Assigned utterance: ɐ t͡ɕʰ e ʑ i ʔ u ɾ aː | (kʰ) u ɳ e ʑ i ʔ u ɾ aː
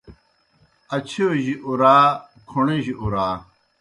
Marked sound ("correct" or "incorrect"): correct